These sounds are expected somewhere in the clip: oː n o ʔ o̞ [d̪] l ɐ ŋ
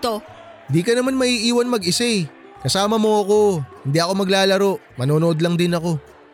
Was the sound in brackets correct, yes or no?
yes